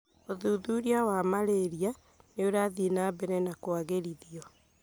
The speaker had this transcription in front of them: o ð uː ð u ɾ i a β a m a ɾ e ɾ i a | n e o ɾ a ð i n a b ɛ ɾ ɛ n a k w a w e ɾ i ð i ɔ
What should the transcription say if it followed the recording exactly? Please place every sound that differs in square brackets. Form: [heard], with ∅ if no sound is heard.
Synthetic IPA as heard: o ð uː ð u ɾ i a [w] a m a ɾ e ɾ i a | n e o ɾ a ð i n a b ɛ ɾ ɛ n a k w a [ɣ] e ɾ i ð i ɔ